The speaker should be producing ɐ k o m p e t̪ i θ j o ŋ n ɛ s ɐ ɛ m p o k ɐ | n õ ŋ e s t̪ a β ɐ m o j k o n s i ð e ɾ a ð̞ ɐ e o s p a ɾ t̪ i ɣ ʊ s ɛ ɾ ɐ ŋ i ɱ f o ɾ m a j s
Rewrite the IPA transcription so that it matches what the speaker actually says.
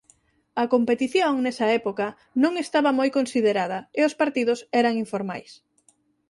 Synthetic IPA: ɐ k o m p e t̪ i θ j o ŋ n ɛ s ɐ ɛ p o k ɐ | n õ ŋ e s t̪ a β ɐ m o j k o n s i ð e ɾ a ð̞ ɐ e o s p a ɾ t̪ i ð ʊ s ɛ ɾ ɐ ŋ i ɱ f o ɾ m a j s